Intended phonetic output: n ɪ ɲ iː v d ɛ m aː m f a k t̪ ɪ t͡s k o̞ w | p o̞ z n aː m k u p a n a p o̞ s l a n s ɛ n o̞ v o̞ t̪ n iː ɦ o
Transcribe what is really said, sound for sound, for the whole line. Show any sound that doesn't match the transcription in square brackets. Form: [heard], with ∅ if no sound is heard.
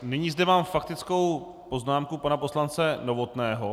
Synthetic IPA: n ɪ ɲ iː [z] d ɛ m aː m f a k t̪ ɪ t͡s k o̞ w | p o̞ z n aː m k u p a n a p o̞ s l a n [t͡s] ɛ n o̞ v o̞ t̪ n [ɛː] ɦ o